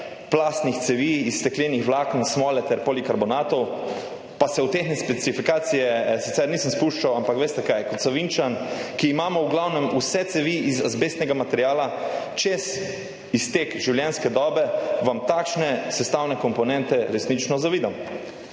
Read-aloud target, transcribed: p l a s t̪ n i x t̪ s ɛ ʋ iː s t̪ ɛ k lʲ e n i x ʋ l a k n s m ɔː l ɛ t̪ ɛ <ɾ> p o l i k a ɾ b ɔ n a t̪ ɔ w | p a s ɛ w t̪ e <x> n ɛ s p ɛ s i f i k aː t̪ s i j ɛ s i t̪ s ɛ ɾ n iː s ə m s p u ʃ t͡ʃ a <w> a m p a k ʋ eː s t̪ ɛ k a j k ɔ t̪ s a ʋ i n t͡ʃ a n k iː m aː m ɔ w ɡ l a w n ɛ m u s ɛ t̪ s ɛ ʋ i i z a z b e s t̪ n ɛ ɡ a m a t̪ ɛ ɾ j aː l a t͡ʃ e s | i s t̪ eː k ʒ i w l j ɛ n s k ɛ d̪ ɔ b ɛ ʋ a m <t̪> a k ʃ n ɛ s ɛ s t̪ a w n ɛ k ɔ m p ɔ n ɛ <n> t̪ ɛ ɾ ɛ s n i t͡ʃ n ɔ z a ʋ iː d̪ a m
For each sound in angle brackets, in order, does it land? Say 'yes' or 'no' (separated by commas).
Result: yes, yes, yes, yes, yes